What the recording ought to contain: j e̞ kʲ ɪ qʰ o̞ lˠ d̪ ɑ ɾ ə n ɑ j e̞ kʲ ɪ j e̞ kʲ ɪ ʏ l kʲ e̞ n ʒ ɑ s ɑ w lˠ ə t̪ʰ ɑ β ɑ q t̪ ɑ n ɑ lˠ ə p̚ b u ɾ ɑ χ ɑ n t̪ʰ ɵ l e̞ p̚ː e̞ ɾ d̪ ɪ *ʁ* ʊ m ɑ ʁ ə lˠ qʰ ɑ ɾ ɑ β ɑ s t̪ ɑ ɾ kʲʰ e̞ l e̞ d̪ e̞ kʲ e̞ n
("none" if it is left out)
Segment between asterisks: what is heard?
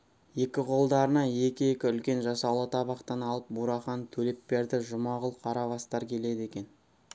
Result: ʒ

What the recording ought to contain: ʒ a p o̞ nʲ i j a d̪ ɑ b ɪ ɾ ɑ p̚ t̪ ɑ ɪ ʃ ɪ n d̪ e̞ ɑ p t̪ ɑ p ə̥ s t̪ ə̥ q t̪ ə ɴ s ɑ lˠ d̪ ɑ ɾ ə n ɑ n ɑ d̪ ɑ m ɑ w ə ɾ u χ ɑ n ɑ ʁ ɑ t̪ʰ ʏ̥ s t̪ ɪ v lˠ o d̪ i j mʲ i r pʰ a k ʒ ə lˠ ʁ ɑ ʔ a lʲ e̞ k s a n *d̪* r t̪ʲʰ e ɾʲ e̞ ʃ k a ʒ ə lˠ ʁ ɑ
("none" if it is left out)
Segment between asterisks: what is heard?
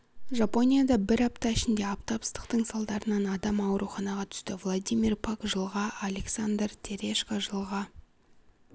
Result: d̪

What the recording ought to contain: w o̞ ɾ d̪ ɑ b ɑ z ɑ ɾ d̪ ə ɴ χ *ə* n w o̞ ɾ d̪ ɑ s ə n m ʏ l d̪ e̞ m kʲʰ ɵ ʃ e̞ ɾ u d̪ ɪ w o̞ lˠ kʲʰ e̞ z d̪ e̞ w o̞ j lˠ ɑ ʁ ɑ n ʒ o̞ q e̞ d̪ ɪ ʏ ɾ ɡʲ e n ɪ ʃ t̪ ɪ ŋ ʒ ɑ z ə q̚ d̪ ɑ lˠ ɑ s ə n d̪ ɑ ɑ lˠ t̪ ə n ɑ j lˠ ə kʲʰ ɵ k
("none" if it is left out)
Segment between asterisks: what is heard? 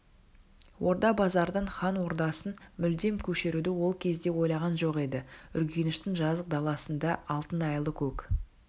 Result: ɑ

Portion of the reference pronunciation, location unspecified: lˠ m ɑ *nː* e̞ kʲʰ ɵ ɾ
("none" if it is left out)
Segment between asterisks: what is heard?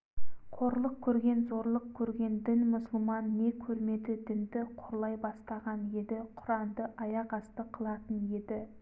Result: nː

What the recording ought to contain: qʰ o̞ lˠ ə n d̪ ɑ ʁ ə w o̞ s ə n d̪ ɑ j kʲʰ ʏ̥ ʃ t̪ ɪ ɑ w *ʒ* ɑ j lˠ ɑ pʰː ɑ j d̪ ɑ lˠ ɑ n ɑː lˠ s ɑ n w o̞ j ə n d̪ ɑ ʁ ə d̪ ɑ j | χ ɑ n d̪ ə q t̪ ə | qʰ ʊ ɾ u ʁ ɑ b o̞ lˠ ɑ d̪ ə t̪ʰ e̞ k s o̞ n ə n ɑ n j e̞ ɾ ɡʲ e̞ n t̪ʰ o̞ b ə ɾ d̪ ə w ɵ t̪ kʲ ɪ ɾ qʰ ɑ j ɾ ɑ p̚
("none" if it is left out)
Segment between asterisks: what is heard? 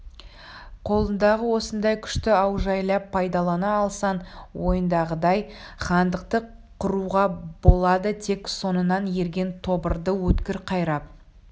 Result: ʒ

